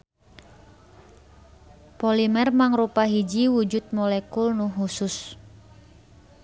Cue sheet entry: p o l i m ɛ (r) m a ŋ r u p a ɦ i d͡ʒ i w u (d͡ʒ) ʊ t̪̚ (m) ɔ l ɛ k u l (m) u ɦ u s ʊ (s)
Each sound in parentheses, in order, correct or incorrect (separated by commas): correct, correct, correct, incorrect, correct